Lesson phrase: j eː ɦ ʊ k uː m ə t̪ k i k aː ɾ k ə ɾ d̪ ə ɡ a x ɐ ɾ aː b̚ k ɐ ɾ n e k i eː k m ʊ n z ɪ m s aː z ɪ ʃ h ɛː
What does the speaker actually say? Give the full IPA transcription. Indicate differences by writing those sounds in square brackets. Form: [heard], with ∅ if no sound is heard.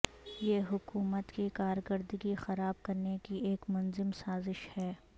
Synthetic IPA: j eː ɦ ʊ k uː m ə t̪ k i k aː ɾ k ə ɾ d̪ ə ɡ [i] x ɐ ɾ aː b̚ k ɐ ɾ n e k i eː k m ʊ n z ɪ m s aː z ɪ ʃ h ɛː